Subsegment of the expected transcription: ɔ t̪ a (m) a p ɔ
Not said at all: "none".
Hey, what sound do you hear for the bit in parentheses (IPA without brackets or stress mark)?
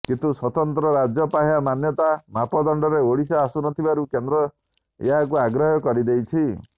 m